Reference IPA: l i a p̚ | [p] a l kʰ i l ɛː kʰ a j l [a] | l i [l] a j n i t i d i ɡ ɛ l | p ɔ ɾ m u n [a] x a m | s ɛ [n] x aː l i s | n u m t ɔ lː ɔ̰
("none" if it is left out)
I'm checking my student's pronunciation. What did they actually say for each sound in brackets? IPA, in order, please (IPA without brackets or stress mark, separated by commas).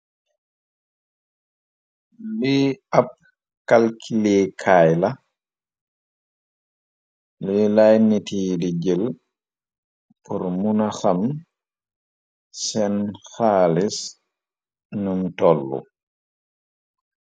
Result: k, a, l, a, n